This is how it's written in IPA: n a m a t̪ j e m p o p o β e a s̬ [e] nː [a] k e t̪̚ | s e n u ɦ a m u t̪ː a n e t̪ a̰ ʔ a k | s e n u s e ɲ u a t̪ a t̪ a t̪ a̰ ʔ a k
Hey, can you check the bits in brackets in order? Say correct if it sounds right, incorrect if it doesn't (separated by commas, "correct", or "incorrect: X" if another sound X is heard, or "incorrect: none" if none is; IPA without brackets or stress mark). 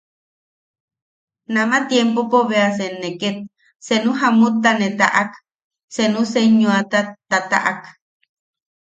correct, incorrect: e